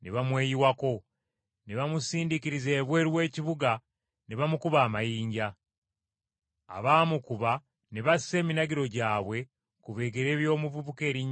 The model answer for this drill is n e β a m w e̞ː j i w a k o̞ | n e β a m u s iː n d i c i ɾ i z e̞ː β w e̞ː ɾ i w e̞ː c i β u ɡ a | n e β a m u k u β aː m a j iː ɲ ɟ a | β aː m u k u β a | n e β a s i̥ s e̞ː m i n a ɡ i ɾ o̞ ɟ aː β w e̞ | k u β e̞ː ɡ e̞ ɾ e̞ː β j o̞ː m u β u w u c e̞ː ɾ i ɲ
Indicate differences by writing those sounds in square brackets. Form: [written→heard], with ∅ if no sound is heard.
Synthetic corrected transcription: n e β a m w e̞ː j i w a k o̞ | n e β a m u s iː n d i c i ɾ i z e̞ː β w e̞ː ɾ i w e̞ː c i β u ɡ a | n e β a m u k u β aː m a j iː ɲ ɟ a | β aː m u k u β a | n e β a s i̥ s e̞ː m i n a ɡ i ɾ o̞ ɟ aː β w e̞ | k u β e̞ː ɡ e̞ ɾ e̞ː β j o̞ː m u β u [w→β] u [c→k] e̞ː ɾ i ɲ

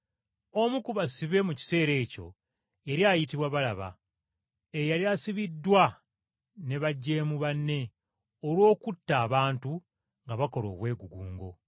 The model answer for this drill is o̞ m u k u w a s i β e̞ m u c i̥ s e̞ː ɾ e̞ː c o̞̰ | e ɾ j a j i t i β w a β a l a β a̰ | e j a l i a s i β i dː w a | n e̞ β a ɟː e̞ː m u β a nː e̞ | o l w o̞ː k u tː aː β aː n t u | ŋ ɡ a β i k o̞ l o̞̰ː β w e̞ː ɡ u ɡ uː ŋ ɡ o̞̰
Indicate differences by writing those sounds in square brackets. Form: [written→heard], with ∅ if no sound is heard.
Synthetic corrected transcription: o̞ m u k u [w→β] a s i β e̞ m u c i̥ s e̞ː ɾ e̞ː c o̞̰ | e ɾ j a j i t i β w a β a l a β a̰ | e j a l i a s i β i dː w a | n e̞ β a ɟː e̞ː m u β a nː e̞ | o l w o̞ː k u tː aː β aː n t u | ŋ ɡ a β [i→a] k o̞ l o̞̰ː β w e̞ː ɡ u ɡ uː ŋ ɡ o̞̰

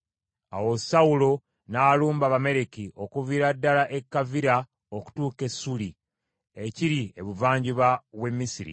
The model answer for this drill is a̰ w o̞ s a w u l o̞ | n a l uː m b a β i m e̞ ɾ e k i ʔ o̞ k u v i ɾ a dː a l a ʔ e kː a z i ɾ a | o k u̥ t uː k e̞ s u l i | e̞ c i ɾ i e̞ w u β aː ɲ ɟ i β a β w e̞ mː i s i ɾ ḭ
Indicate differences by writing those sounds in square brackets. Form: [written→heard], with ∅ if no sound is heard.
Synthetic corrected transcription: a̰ w o̞ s a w u l o̞ | n a l uː m b a β [i→a] m e̞ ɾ e k i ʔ o̞ k u v i ɾ a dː a l a ʔ e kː a [z→v] i ɾ a | o k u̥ t uː k e̞ s u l i | e̞ c i ɾ i e̞ [w→β] u [β→v] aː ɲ ɟ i β a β w e̞ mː i s i ɾ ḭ

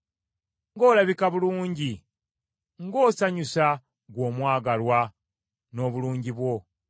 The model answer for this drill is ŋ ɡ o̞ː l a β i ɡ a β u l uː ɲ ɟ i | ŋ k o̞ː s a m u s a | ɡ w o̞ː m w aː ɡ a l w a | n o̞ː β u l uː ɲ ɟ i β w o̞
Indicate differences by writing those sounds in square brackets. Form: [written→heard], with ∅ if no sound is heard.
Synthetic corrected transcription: ŋ ɡ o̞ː l a β i [ɡ→k] a β u l uː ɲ ɟ i | ŋ [k→ɡ] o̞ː s a [m→ɲ] u s a | ɡ w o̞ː m w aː ɡ a l w a | n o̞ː β u l uː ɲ ɟ i β w o̞

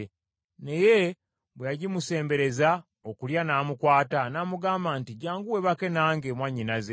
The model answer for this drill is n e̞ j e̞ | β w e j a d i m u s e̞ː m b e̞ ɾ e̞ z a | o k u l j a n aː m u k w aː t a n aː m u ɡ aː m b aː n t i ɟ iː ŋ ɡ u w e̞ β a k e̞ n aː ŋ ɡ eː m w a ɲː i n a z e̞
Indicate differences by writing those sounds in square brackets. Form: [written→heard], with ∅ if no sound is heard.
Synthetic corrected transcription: n e̞ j e̞ | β w e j a [d→ɟ] i m u s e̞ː m b e̞ ɾ e̞ z a | o k u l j a n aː m u k w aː t a n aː m u ɡ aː m b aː n t i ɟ [iː→aː] ŋ ɡ u w e̞ β a k e̞ n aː ŋ ɡ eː m w a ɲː i n a z e̞

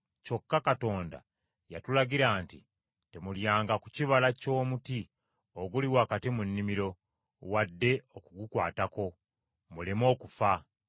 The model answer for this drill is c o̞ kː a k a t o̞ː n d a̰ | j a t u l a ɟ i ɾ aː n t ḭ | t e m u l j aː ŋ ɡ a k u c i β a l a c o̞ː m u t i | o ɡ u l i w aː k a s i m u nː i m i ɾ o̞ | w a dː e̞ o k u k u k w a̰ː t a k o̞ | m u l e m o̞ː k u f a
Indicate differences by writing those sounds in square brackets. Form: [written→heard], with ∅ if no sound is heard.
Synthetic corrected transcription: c o̞ kː a k a t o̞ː n d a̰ | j a t u l a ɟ i ɾ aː n t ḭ | t e m u l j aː ŋ ɡ a k u c i β a l a c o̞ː m u t i | o ɡ u l i w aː k a [s→t] i m u nː i m i ɾ o̞ | w a dː e̞ o k u [k→ɡ] u k w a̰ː t a k o̞ | m u l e m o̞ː k u f a

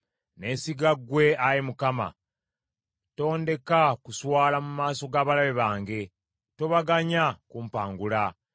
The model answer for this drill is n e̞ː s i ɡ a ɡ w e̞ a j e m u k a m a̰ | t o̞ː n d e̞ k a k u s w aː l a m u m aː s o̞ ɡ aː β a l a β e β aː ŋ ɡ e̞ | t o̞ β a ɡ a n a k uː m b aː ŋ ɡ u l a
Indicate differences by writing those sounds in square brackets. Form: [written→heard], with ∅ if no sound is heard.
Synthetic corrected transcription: n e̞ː s i ɡ a ɡ w e̞ a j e m u k a m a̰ | t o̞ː n d e̞ k a k u s w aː l a m u m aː s o̞ ɡ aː β a l a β e β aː ŋ ɡ e̞ | t o̞ β a ɡ a [n→ɲ] a k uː m [b→p] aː ŋ ɡ u l a

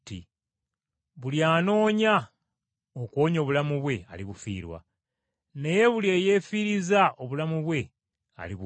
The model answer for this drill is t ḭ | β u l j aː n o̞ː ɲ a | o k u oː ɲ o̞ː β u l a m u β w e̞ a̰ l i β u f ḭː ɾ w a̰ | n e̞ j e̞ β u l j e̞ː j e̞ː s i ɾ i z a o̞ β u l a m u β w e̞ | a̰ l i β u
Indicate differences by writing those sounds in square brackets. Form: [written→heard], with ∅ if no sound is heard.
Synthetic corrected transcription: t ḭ | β u l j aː n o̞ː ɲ a | o k [u→w] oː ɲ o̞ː β u l a m u β w e̞ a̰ l i β u f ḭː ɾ w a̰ | n e̞ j e̞ β u l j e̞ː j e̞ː [s→f] i ɾ i z a o̞ β u l a m u β w e̞ | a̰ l i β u

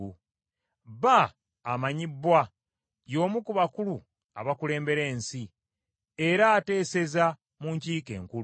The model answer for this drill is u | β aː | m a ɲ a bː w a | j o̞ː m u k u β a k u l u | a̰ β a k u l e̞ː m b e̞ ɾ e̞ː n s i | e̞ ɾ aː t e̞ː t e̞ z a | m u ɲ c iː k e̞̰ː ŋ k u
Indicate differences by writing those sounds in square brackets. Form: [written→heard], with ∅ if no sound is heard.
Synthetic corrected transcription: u | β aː | m a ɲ [a→i] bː w a | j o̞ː m u k u β a k u l u | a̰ β a k u l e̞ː m b e̞ ɾ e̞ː n s i | e̞ ɾ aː t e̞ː [t→s] e̞ z a | m u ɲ c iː k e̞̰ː ŋ k u

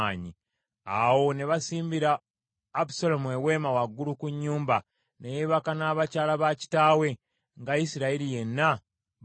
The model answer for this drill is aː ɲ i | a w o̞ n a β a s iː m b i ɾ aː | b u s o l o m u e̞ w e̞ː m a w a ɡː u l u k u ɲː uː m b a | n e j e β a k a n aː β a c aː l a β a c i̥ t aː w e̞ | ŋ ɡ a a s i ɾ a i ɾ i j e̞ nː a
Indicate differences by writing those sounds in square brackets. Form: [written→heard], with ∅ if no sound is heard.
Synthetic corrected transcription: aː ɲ i | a w o̞ n [a→e] β a s iː m b i ɾ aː | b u s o l o m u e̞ w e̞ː m a w a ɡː u l u k u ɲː uː m b a | n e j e β a k a n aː β a c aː l a β a c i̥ t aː w e̞ | ŋ ɡ a [a→i] s i ɾ a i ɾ i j e̞ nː a

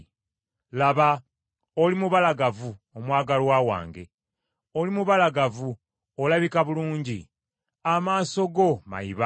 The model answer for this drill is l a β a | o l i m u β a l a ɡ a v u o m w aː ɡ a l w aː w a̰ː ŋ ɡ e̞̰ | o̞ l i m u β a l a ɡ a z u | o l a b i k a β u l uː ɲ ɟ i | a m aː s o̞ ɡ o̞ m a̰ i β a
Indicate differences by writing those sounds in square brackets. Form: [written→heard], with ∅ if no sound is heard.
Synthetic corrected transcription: l a β a | o l i m u β a l a ɡ a v u o m w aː ɡ a l w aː w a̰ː ŋ ɡ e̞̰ | o̞ l i m u β a l a ɡ a [z→v] u | o l a [b→β] i k a β u l uː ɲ ɟ i | a m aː s o̞ ɡ o̞ m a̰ i β a

